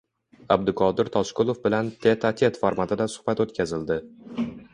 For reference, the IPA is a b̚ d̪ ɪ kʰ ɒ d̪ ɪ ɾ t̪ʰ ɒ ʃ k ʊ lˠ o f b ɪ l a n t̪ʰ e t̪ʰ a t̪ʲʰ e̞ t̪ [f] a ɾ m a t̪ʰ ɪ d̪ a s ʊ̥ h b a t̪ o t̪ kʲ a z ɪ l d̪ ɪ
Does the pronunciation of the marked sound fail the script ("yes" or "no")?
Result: no